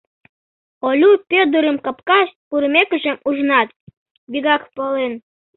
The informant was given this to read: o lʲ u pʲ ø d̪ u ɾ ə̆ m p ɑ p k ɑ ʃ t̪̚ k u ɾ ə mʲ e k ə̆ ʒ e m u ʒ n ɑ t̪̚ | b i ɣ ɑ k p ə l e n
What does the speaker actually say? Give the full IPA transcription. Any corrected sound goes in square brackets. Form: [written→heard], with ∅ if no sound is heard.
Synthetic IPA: o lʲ u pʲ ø d̪ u ɾ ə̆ m [p→k] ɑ p k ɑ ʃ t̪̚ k u ɾ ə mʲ e k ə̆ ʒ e m u ʒ n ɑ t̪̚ | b i ɣ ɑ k p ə l e n